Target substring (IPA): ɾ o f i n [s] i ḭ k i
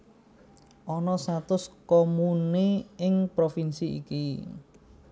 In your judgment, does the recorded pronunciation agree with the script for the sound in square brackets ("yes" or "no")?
yes